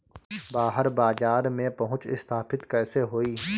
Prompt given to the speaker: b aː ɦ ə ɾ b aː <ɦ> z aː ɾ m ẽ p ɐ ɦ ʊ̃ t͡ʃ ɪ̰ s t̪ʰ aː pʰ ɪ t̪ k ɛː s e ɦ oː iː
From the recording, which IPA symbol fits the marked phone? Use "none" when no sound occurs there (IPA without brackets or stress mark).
none